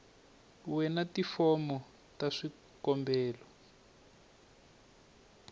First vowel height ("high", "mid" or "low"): mid